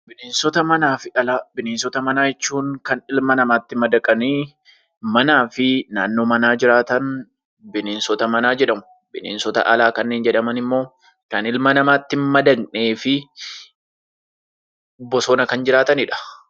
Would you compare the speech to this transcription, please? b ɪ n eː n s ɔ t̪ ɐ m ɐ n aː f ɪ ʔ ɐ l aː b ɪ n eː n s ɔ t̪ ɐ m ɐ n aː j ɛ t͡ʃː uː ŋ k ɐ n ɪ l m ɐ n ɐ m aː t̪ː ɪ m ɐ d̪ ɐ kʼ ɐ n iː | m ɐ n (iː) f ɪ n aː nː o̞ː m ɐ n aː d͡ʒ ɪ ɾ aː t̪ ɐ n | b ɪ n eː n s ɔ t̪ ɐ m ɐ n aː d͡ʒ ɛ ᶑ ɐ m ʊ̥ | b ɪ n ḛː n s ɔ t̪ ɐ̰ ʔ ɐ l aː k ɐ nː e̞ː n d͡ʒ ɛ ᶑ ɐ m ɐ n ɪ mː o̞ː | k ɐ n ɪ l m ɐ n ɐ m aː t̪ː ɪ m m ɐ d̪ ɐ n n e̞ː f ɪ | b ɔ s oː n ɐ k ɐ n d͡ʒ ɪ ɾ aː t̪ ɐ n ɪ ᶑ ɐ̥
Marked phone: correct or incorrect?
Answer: incorrect